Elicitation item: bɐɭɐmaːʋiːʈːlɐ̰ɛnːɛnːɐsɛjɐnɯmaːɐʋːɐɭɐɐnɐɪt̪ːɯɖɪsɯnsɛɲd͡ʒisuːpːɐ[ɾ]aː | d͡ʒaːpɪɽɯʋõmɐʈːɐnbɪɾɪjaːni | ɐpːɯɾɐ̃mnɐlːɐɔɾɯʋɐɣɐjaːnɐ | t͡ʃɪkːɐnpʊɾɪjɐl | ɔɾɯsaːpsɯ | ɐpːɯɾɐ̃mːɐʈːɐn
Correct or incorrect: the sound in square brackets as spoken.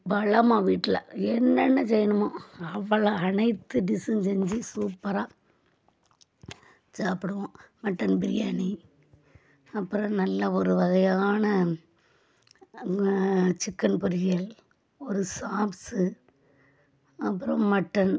correct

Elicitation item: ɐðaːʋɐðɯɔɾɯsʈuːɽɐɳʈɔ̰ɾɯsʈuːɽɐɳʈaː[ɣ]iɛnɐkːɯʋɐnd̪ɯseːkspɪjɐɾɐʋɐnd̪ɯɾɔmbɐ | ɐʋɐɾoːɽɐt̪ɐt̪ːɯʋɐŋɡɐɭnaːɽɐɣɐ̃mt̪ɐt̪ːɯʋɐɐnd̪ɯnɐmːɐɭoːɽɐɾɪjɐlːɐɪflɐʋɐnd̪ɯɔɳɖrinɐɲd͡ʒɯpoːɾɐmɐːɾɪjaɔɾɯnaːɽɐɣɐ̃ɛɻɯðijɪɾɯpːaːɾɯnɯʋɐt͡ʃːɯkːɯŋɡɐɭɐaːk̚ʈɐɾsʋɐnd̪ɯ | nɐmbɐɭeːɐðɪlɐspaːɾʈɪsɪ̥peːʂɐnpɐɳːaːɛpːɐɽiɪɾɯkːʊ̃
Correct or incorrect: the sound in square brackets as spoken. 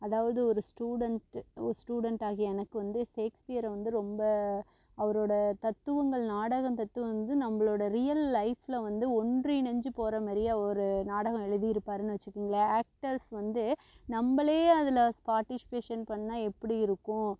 correct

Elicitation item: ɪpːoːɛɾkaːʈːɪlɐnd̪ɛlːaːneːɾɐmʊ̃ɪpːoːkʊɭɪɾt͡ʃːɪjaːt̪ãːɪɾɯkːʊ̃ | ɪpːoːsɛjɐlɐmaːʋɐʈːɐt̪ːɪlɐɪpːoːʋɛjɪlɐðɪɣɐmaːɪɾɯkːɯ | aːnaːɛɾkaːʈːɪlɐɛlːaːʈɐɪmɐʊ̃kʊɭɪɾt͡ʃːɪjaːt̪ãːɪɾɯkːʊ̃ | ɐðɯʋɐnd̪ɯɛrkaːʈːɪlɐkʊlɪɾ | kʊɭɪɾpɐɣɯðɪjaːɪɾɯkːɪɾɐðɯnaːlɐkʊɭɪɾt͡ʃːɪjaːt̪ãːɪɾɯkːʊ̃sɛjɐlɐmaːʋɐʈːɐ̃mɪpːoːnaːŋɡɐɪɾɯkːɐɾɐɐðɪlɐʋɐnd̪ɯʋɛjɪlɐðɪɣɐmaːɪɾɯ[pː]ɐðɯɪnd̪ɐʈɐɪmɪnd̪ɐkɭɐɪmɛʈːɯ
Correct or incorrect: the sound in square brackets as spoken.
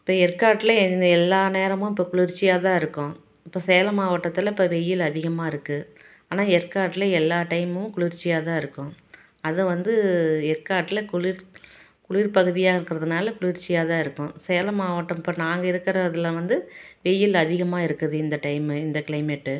incorrect: kː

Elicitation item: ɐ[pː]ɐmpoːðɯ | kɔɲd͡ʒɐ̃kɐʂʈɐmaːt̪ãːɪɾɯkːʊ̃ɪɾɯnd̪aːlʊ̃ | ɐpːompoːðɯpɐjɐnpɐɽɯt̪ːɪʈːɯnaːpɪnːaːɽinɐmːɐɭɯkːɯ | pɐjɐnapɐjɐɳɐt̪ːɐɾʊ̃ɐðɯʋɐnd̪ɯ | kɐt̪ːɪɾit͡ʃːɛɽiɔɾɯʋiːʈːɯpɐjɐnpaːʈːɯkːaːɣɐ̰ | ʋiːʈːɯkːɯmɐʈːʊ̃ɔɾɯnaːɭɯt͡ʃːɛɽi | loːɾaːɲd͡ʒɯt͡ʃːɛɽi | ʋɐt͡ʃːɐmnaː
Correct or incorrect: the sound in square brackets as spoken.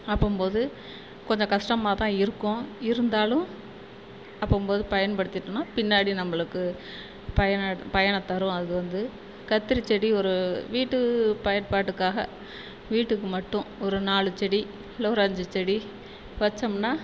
correct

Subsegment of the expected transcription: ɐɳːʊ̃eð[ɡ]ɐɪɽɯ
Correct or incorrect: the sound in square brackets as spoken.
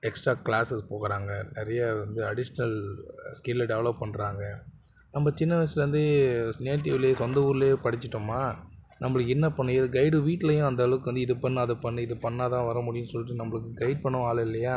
correct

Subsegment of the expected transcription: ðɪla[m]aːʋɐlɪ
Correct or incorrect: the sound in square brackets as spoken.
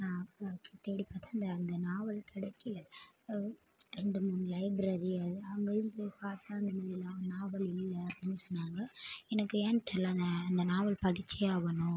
incorrect: n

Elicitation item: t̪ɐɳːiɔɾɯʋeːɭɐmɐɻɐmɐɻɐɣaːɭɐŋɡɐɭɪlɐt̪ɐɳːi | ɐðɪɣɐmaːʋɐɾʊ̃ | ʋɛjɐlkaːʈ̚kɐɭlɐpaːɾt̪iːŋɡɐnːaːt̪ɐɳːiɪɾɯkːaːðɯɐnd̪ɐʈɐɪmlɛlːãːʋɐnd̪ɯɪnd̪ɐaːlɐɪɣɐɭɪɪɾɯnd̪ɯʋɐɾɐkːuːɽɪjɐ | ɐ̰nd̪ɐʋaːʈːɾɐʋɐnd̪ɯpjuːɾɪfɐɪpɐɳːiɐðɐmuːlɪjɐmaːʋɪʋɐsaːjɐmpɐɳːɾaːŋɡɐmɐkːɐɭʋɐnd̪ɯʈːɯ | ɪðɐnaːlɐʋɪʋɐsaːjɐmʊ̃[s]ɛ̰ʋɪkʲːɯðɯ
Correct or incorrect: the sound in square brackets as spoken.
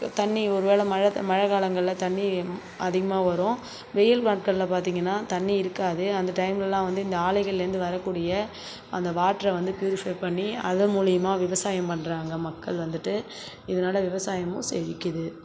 correct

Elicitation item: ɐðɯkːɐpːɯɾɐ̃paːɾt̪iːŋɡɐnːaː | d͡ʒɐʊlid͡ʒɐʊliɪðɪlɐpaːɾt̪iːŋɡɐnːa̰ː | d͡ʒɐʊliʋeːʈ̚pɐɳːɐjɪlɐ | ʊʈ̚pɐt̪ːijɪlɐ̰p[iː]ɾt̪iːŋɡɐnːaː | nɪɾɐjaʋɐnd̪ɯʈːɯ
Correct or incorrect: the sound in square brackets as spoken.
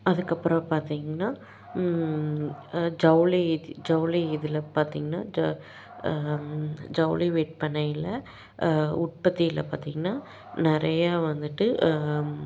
incorrect: aː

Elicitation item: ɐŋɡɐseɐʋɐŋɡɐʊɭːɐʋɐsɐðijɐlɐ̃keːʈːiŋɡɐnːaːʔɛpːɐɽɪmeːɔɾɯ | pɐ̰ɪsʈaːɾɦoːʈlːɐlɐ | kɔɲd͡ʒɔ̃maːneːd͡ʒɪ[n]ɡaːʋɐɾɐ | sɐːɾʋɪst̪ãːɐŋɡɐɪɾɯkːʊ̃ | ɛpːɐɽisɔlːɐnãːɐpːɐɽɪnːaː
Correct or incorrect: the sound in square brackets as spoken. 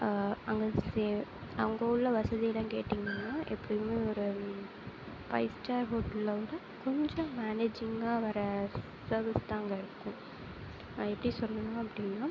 incorrect: ŋ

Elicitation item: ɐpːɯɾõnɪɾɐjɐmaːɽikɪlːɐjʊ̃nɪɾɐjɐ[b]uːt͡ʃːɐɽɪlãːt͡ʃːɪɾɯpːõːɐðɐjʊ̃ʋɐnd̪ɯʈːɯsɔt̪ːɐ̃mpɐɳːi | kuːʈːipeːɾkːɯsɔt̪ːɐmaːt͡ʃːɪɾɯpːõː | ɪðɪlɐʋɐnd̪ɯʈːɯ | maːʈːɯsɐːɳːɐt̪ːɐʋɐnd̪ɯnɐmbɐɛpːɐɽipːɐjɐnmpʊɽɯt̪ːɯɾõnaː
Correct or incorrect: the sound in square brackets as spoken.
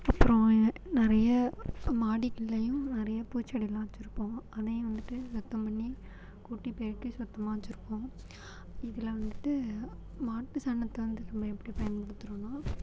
incorrect: p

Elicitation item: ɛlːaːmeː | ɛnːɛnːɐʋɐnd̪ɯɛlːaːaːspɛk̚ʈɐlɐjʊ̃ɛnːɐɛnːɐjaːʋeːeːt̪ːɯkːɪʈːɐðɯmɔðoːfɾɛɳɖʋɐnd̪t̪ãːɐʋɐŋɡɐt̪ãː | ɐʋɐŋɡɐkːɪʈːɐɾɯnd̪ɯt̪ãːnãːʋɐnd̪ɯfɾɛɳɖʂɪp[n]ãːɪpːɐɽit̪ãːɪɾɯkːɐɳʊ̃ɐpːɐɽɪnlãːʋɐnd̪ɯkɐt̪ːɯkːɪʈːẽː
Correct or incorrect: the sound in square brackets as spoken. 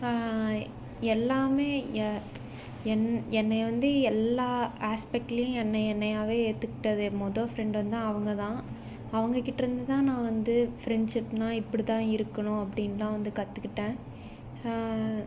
correct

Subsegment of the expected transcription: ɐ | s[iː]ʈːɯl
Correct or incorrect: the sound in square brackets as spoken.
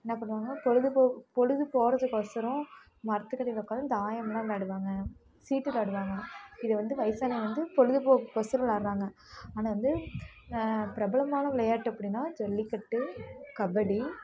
correct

